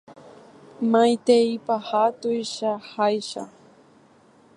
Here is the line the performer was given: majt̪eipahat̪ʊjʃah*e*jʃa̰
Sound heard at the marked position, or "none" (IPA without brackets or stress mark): a